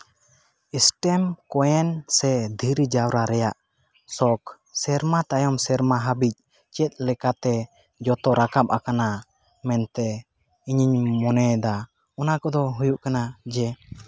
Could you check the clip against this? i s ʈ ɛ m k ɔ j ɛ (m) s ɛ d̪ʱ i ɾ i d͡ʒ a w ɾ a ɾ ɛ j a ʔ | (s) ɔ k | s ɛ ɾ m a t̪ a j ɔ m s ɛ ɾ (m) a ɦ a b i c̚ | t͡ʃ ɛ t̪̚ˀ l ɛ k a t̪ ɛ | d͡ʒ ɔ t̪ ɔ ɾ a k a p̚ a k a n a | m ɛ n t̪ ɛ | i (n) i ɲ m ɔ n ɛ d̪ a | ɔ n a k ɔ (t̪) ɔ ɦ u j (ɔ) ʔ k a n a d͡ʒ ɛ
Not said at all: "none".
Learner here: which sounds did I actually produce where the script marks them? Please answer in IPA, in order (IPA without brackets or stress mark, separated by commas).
n, s, m, ɲ, d̪, u